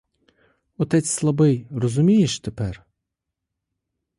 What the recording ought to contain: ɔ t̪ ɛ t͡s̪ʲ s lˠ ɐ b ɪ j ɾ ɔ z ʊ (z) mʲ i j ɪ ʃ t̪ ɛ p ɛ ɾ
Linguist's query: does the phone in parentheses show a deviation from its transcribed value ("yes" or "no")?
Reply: yes